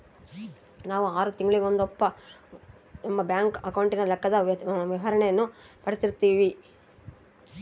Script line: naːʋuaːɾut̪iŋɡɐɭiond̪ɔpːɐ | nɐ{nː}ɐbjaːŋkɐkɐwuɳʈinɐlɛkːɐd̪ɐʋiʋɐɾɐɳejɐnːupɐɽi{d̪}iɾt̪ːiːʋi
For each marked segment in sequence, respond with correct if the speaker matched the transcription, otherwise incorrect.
incorrect: mː, incorrect: t̪

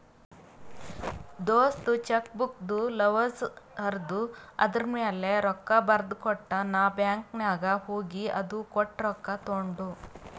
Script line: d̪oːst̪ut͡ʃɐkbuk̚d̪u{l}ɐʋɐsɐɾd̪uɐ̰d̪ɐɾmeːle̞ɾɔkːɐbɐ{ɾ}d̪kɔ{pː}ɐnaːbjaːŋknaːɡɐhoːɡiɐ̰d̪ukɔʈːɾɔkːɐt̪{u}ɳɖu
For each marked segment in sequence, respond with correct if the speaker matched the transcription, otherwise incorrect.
correct, correct, incorrect: ʈː, incorrect: o

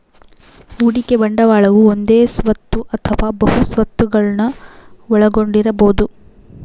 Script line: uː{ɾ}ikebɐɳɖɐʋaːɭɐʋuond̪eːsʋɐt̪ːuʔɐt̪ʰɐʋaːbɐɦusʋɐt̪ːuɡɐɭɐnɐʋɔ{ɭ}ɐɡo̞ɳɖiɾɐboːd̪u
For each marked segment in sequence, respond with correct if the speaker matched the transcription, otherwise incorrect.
incorrect: ɽ, correct

